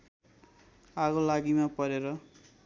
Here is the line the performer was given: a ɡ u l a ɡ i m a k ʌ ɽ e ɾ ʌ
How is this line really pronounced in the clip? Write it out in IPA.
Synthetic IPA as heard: a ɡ o l a ɡ i m a p ʌ ɾ e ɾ ʌ